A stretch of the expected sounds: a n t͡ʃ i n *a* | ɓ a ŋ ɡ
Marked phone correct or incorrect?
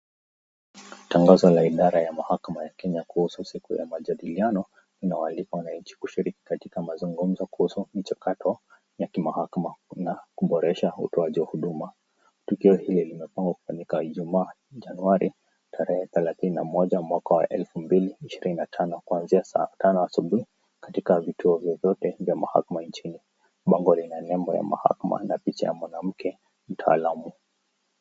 incorrect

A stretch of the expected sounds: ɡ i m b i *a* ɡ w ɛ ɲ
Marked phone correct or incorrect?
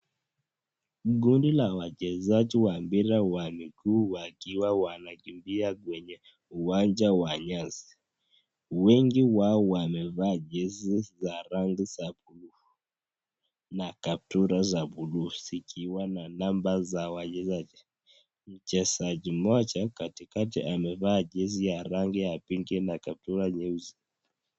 correct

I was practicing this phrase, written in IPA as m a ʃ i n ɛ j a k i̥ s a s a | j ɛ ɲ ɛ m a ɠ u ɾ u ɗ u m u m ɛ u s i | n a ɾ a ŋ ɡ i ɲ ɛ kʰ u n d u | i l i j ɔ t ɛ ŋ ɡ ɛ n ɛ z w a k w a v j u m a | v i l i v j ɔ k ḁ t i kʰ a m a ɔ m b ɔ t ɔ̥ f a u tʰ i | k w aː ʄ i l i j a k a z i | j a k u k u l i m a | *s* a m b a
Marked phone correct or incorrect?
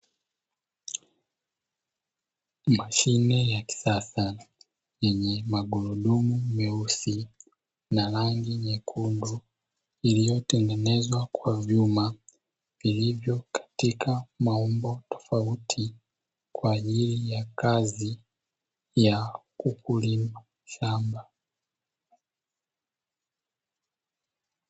incorrect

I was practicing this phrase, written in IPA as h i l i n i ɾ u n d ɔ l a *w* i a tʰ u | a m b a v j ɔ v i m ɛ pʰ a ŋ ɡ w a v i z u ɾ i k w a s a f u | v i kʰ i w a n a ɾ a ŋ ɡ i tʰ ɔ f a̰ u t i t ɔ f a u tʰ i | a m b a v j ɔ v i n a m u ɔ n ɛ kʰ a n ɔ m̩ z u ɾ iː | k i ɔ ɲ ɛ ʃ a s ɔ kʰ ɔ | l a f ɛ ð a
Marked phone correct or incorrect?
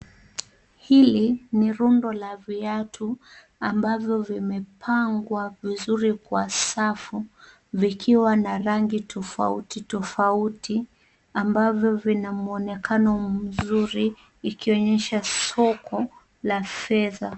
incorrect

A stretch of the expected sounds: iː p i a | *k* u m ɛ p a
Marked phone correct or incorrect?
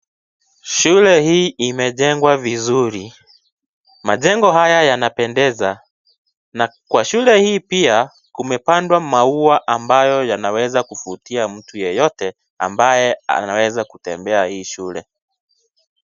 correct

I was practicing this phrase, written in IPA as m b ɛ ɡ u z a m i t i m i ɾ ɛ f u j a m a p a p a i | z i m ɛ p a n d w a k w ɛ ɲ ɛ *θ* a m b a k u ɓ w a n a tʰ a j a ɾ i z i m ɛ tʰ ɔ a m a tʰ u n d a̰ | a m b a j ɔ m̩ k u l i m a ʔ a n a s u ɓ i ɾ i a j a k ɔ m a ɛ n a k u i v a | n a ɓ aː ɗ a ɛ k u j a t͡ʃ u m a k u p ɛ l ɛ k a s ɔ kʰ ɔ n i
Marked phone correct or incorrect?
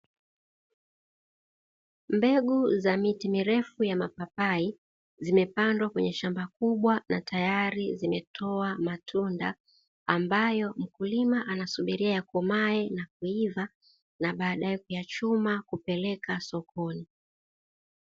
incorrect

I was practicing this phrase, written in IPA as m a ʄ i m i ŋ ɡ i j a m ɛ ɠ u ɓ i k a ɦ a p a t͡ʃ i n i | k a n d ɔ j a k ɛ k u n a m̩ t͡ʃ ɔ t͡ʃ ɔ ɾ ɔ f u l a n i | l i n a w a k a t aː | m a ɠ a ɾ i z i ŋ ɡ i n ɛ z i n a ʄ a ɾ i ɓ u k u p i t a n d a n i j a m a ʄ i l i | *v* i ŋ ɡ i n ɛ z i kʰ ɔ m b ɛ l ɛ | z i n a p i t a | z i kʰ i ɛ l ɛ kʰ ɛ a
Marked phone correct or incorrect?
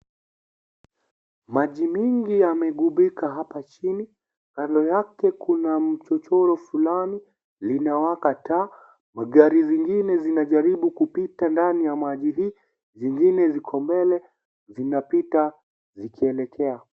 incorrect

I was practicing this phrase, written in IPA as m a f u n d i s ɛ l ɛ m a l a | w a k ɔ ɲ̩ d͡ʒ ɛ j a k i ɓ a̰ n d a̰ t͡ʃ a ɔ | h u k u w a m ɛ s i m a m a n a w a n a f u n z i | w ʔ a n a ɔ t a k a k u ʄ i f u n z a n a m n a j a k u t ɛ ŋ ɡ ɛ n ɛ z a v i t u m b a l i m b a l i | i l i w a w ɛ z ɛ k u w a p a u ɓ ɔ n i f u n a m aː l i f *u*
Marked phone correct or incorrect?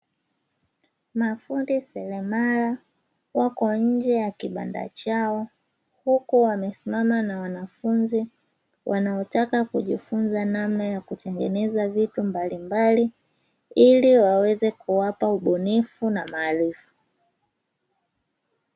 correct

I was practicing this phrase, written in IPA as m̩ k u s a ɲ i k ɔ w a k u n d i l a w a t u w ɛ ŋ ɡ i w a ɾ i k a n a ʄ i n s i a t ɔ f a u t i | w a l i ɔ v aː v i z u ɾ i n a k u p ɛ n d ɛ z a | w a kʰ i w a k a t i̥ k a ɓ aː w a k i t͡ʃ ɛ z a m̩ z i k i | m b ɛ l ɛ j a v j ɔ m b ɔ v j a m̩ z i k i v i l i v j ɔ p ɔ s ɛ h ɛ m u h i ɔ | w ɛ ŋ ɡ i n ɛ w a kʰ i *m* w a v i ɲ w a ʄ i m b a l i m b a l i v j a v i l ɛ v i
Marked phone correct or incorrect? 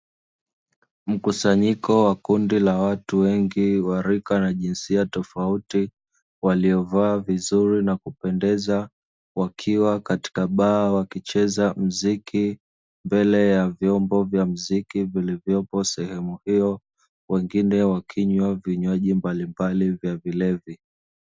incorrect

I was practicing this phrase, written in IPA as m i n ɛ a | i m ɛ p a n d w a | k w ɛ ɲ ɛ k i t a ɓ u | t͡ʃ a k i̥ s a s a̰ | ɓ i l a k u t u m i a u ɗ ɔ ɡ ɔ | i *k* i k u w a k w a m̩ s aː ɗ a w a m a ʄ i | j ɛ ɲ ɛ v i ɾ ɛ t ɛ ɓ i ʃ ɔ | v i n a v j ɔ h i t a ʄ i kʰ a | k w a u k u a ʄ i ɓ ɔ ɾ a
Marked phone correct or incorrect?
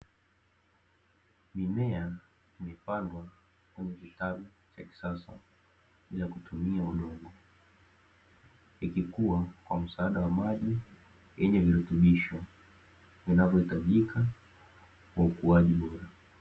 correct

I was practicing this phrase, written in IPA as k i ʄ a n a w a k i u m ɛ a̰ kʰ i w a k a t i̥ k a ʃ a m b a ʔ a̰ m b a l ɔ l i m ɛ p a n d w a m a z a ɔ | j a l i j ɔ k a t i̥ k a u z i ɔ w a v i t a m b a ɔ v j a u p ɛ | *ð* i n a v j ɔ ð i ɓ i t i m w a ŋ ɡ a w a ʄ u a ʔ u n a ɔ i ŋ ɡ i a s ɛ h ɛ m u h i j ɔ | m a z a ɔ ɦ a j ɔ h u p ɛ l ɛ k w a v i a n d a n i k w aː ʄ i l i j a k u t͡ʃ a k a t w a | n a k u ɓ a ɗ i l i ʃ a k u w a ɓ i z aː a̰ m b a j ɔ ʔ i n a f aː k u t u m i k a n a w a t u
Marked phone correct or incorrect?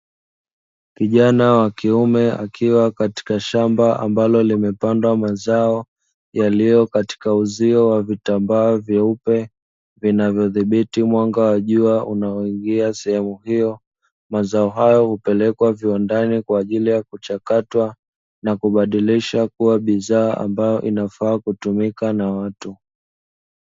incorrect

